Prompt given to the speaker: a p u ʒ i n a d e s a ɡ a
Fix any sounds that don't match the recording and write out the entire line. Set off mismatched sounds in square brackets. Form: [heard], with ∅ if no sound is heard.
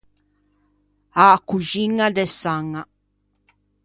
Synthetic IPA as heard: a [k] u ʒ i [ŋ] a d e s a [ŋ] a